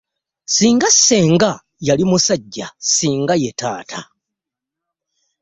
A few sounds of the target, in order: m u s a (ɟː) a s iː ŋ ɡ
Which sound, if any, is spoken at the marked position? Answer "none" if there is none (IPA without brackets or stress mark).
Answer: ɟː